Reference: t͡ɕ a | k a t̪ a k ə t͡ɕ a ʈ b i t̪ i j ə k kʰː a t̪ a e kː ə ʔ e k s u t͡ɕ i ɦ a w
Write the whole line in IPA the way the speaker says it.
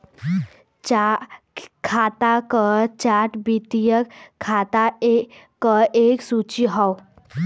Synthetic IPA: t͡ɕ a | kʰ a t̪ a k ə t͡ɕ a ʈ b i t̪ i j ə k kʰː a t̪ a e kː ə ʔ e k s u t͡ɕ i ɦ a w